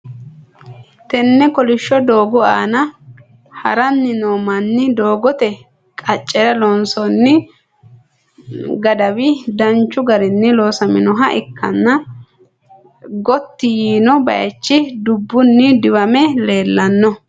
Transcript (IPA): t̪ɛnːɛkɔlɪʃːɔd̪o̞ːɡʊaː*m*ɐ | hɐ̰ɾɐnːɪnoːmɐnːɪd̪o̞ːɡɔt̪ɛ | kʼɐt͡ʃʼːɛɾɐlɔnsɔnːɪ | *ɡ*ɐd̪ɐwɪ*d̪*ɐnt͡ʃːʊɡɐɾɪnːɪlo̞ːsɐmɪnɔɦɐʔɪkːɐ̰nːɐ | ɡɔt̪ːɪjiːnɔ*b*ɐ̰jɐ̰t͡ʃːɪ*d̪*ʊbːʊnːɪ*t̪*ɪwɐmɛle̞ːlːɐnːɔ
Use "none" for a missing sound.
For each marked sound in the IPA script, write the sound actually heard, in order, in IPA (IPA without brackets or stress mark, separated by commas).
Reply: n, ɡ, d̪, b, d̪, d̪